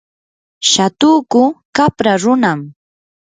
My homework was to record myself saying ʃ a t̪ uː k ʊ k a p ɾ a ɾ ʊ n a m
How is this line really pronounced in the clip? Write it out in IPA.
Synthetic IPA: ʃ a t̪ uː k ʊ k a p ɾ a ɾ ʊ n a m

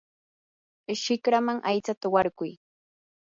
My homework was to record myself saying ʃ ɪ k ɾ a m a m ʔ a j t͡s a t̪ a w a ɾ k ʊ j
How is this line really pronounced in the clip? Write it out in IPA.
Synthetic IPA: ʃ ɪ k ɾ a m a ŋ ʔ a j t͡s a t̪ a w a ɾ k ʊ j

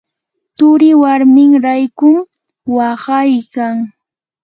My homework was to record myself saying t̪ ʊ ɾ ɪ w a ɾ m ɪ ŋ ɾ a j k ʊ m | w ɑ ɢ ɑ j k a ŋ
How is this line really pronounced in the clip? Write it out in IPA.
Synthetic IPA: t̪ ʊ ɾ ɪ w a ɾ m ɪ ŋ ɾ a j k ʊ m | w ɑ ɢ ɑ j k a ŋ

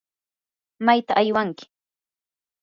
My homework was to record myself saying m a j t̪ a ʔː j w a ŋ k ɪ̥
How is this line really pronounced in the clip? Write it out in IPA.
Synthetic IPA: m a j t̪ a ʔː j w a ŋ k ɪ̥

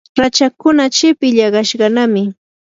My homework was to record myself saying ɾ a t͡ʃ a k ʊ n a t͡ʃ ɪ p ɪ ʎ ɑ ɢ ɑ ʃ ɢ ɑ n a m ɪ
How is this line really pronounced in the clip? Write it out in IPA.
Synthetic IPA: ɾ a t͡ʃ a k ʊ n a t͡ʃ ɪ p ɪ ʎ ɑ ɢ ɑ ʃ ɢ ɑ n a m ɪ

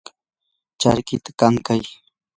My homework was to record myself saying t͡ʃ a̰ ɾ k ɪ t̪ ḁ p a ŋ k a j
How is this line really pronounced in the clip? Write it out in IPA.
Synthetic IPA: t͡ʃ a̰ ɾ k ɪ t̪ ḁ k a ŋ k a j

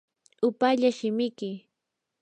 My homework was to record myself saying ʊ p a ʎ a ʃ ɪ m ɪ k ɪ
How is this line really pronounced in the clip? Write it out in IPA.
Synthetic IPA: ʊ p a ʎ a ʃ ɪ m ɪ k ɪ

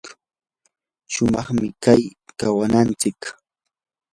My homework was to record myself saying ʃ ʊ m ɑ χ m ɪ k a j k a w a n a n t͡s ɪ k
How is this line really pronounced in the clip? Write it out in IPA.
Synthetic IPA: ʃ ʊ m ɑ χ m ɪ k a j k a w a n a n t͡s ɪ k

